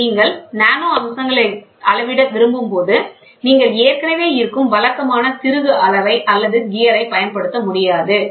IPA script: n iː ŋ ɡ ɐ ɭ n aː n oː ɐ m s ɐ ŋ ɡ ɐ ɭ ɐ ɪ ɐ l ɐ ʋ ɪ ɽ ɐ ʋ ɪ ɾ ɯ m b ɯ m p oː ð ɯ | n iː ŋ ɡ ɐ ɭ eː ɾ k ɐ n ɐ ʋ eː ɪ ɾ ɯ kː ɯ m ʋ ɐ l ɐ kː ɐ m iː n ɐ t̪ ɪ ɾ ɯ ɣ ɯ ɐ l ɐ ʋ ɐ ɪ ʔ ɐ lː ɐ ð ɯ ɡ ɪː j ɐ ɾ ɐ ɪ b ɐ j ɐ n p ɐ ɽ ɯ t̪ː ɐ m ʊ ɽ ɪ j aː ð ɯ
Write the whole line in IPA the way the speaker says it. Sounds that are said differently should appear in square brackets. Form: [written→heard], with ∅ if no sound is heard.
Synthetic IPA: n iː ŋ ɡ ɐ ɭ n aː n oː ɐ m s ɐ ŋ ɡ ɐ ɭ ɐ ɪ ɐ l ɐ ʋ ɪ ɽ ɐ ʋ ɪ ɾ ɯ m b ɯ m p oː ð ɯ | n iː ŋ ɡ ɐ ɭ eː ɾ k ɐ n ɐ ʋ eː ɪ ɾ ɯ kː ɯ m ʋ ɐ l ɐ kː ɐ m [iː→aː] n ɐ t̪ ɪ ɾ ɯ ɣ ɯ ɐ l ɐ ʋ ɐ ɪ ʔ ɐ lː ɐ ð ɯ ɡ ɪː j ɐ ɾ ɐ ɪ [b→p] ɐ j ɐ n p ɐ ɽ ɯ t̪ː ɐ m ʊ ɽ ɪ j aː ð ɯ

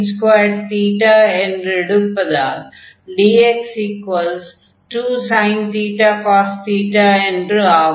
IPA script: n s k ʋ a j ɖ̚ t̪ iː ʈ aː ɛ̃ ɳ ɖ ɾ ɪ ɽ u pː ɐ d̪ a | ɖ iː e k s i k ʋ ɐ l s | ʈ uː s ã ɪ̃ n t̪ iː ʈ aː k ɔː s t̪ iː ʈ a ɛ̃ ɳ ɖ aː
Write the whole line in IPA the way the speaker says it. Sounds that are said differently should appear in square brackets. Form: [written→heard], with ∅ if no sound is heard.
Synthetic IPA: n s k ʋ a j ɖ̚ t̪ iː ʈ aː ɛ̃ ɳ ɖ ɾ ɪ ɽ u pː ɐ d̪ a | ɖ iː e k s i k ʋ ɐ l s | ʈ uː s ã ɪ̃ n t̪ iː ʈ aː k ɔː s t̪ iː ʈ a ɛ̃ ɳ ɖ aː

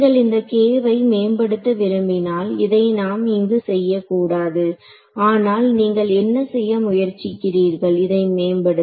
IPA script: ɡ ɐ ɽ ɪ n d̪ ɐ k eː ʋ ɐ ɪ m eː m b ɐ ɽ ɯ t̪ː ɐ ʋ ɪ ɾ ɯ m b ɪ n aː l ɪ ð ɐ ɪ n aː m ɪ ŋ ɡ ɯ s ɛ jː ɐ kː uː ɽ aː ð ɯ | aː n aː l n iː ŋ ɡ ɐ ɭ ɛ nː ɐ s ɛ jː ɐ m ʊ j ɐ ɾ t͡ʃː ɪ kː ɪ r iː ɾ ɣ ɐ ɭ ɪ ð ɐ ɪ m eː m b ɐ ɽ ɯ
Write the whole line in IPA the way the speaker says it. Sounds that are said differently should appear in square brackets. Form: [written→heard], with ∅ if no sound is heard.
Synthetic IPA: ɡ ɐ [ɽ→ɭ] ɪ n d̪ ɐ k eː ʋ ɐ ɪ m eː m b ɐ ɽ ɯ t̪ː ɐ ʋ ɪ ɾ ɯ m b ɪ n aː l ɪ ð ɐ ɪ n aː m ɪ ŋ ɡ ɯ s ɛ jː ɐ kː uː ɽ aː ð ɯ | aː n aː l n iː ŋ ɡ ɐ ɭ ɛ nː ɐ s ɛ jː ɐ m ʊ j ɐ ɾ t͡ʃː ɪ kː ɪ r iː ɾ ɣ ɐ ɭ ɪ ð ɐ ɪ m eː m b ɐ ɽ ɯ

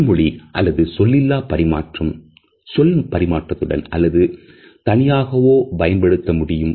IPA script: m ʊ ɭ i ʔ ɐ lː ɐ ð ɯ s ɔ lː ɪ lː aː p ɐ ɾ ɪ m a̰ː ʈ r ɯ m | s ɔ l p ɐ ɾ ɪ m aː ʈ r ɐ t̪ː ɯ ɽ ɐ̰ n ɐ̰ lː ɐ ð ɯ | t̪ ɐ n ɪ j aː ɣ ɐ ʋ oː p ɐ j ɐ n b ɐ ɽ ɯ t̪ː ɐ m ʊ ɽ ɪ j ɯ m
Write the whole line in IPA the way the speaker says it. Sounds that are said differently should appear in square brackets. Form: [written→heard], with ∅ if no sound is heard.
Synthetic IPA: m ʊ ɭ i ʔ ɐ lː ɐ ð ɯ s ɔ lː ɪ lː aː p ɐ ɾ ɪ m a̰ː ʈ r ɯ m | s ɔ l p ɐ ɾ ɪ m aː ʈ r ɐ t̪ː ɯ ɽ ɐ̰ n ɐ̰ lː ɐ ð ɯ | t̪ ɐ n ɪ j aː ɣ ɐ ʋ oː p ɐ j ɐ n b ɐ ɽ ɯ t̪ː ɐ m ʊ ɽ ɪ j ɯ m

